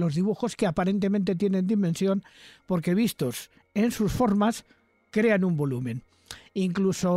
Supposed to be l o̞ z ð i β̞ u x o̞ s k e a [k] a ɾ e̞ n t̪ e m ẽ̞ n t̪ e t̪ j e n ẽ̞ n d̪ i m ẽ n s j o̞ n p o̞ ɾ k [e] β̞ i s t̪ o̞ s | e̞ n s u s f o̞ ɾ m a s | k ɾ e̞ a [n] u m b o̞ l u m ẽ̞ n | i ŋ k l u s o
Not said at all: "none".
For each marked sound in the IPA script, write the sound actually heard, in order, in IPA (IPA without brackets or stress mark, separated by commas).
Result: p, e, n